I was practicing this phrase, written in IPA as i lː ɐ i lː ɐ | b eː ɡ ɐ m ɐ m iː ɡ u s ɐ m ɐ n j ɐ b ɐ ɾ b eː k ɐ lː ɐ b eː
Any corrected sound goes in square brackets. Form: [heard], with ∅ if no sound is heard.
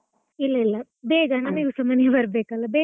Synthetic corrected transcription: i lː ɐ i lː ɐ | b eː ɡ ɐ [n] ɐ m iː ɡ u s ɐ m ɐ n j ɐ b ɐ ɾ b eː k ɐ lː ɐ b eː